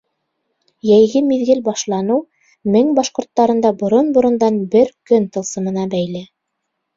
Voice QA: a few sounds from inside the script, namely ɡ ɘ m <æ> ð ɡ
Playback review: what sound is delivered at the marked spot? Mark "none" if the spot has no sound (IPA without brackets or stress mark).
i